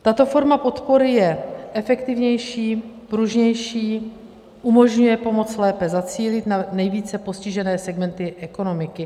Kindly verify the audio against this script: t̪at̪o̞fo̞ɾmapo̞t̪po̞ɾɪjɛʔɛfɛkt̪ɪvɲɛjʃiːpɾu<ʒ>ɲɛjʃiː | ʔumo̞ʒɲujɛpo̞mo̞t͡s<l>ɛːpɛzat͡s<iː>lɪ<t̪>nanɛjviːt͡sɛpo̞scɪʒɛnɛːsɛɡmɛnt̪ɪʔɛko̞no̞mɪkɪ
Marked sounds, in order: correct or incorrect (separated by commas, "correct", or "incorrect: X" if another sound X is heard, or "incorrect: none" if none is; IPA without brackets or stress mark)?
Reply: correct, correct, correct, correct